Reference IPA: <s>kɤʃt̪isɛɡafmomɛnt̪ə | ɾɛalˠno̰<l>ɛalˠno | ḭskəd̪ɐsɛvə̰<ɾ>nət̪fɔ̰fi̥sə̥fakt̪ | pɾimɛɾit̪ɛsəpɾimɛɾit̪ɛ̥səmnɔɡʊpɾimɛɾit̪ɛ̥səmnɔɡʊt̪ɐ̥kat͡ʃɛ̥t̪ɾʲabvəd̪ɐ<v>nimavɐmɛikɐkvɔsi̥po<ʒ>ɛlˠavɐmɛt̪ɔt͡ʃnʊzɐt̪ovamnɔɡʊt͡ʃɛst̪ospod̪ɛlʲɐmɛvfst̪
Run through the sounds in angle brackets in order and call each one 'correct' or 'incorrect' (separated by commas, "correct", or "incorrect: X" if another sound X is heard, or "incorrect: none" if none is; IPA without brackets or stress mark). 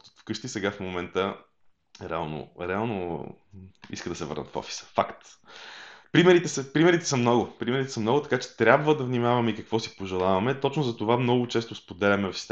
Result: incorrect: f, incorrect: ɾ, correct, correct, correct